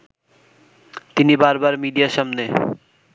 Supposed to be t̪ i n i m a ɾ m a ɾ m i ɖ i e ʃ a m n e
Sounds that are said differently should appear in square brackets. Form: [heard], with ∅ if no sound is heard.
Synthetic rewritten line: t̪ i n i [b] a ɾ [b] a ɾ m i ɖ i [a] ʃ a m n e